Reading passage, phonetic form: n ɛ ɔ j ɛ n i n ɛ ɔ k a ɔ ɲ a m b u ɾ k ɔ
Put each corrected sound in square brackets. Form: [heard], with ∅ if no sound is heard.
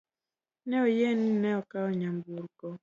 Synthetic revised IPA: n ɛ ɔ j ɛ n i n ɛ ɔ k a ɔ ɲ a m b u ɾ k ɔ